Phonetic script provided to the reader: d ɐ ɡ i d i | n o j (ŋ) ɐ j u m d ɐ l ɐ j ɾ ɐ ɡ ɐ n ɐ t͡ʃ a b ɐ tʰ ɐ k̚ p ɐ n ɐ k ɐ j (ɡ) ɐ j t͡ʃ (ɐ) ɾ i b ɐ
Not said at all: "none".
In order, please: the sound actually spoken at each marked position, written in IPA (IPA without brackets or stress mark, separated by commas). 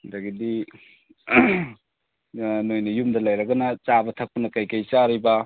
n, k, a